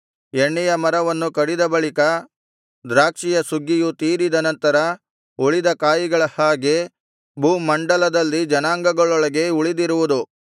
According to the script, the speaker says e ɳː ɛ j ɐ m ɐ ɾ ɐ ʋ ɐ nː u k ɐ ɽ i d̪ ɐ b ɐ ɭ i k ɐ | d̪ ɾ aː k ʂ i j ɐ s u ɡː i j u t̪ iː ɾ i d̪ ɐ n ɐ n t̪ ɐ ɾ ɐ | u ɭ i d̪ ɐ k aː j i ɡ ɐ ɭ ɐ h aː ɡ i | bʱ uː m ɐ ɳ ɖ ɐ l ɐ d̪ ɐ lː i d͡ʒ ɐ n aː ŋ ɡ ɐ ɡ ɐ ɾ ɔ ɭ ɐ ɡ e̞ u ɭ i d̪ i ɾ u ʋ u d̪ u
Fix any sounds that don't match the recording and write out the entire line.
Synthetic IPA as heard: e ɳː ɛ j ɐ m ɐ ɾ ɐ ʋ ɐ nː u k ɐ ɽ i d̪ ɐ b ɐ ɭ i k ɐ | d̪ ɾ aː k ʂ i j ɐ s u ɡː i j u t̪ iː ɾ i d̪ ɐ n ɐ n t̪ ɐ ɾ ɐ | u ɭ i d̪ ɐ k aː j i ɡ ɐ ɭ ɐ h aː ɡ e | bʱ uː m ɐ ɳ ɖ ɐ l ɐ d̪ ɐ lː i d͡ʒ ɐ n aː ŋ ɡ ɐ ɡ ɐ ɭ ɔ ɭ ɐ ɡ e̞ u ɭ i d̪ i ɾ u ʋ u d̪ u